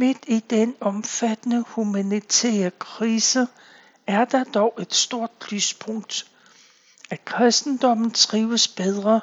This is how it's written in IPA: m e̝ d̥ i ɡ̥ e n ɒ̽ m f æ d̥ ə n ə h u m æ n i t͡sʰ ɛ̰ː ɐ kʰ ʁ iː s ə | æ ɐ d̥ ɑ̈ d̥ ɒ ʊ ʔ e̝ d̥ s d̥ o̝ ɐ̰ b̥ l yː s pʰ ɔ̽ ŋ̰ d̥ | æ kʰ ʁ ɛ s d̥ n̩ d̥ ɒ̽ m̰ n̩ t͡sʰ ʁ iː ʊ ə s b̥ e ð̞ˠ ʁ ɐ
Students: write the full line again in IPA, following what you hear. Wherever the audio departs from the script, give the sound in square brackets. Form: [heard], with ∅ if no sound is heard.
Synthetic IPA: m e̝ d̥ i [d̥] e n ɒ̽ m f æ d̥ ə n ə h u m æ n i t͡sʰ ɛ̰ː ɐ kʰ ʁ iː s ə | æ ɐ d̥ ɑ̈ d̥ ɒ ʊ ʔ e̝ d̥ s d̥ o̝ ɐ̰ [d̥] l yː s pʰ ɔ̽ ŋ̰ d̥ | æ kʰ ʁ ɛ s d̥ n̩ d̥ ɒ̽ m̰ n̩ t͡sʰ ʁ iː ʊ ə s b̥ e ð̞ˠ ʁ ɐ